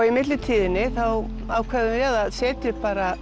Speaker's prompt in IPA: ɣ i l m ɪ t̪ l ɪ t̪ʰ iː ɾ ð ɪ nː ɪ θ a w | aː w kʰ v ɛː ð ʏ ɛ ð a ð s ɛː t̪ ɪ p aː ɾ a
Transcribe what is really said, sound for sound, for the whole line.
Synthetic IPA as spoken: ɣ i m ɪ t̪ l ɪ t̪ʰ iː ð ɪ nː ɪ θ a w | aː w kʰ v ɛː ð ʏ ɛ ð a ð s ɛː t̪ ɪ p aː ɾ a

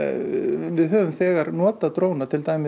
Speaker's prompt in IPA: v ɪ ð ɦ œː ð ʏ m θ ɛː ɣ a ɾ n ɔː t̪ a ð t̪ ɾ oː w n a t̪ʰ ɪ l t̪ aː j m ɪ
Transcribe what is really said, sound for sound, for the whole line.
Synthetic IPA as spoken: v ɪ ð ɦ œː v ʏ m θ ɛː ɣ a ɾ n ɔː t̪ a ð t̪ ɾ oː w n a t̪ʰ ɪ l t̪ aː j m ɪ

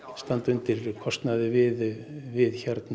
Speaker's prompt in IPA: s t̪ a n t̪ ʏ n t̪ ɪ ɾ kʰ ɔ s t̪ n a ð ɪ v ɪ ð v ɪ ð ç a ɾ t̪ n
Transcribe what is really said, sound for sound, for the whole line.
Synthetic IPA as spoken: s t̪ a n t̪ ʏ n t̪ ɪ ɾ kʰ ɔ s t̪ n a ð ɪ v ɪ ð v ɪ ð ç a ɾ t̪ n

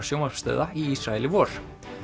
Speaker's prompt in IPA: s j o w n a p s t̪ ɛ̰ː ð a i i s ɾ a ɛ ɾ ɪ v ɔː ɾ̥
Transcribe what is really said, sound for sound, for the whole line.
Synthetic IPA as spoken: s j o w m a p s t̪ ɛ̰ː ð a i i s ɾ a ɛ l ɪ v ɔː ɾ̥

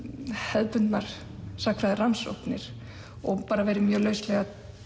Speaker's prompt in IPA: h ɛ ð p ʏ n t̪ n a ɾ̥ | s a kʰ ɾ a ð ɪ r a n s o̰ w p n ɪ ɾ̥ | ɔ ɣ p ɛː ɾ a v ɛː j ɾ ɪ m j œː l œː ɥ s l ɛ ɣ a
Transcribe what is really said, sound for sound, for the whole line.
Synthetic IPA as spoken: h ɛ ð p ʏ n t̪ n a ɾ̥ | s a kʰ ɾ a ð ɪ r a n s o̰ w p n ɪ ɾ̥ | ɔ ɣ p aː ɾ a v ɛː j ɾ ɪ m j œː l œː ɥ s l ɛ ɣ a

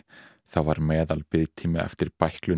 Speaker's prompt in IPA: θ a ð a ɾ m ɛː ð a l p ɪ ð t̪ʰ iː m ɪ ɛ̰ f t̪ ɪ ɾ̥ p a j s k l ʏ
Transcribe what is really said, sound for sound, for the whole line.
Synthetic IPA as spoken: θ a v a ɾ m ɛː ð a l p ɪ ð t̪ʰ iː m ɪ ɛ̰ f t̪ ɪ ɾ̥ p a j h k l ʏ

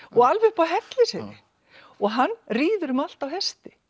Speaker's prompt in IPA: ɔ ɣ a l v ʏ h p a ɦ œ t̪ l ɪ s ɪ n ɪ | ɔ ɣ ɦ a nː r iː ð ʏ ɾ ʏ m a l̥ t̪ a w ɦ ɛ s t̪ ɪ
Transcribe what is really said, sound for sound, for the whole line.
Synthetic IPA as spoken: ɔ ɣ a l v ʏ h p a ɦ ɛ t̪ l ɪ s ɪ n ɪ | ɔ ɣ ɦ a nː r iː ð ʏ ɾ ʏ m a l̥ t̪ a w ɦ ɛ s t̪ ɪ

